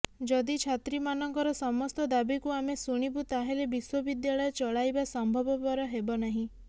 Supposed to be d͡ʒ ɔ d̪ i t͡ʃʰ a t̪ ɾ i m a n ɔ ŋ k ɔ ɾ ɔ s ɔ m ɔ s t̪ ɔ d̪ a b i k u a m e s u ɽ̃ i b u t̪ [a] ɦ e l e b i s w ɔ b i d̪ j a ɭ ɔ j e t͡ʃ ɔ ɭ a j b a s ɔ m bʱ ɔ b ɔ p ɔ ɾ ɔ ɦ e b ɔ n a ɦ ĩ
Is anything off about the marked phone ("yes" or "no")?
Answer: no